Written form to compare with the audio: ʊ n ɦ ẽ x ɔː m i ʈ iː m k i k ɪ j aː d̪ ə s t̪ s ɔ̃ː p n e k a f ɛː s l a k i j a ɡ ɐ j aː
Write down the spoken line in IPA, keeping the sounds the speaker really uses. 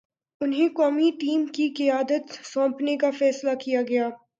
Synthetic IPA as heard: ʊ n ɦ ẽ k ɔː m i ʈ iː m k i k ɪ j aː d̪ ə t̪ s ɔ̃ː p n e k a f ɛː s l a k i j a ɡ ɐ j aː